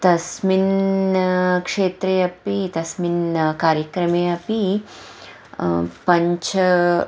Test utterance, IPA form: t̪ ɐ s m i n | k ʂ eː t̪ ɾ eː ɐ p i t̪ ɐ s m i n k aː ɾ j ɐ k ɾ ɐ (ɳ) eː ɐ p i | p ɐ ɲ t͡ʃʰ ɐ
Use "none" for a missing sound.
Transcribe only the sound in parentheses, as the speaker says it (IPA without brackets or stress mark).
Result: m